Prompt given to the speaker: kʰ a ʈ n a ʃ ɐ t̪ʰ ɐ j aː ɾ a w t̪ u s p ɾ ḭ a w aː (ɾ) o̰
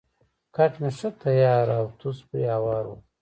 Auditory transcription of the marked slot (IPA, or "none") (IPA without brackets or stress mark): ɾ